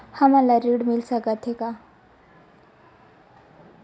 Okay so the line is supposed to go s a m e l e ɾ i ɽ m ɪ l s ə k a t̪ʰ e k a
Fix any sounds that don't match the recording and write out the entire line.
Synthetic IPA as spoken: h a m a l a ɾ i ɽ m i l s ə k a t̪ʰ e k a